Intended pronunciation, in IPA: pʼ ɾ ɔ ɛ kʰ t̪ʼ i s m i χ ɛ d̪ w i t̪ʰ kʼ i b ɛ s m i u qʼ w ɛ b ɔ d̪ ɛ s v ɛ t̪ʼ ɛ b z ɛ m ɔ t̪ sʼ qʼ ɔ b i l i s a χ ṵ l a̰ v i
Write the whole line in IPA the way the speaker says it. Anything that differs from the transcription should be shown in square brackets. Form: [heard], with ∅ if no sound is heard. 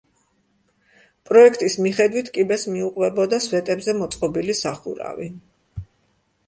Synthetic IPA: pʼ ɾ ɔ ɛ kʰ t̪ʼ i s m i χ ɛ d̪ w i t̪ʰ kʼ i b ɛ s m i u qʼ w ɛ b ɔ d̪ [a] s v ɛ t̪ʼ ɛ b z ɛ m ɔ t̪ sʼ qʼ ɔ b i l i s a χ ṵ [ɾ] a̰ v i